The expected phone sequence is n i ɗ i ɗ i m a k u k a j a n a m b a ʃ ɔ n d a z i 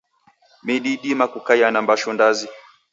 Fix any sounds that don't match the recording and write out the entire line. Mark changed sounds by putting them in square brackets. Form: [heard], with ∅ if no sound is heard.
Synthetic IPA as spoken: [m] i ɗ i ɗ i m a k u k a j a n a m b a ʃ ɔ n d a z i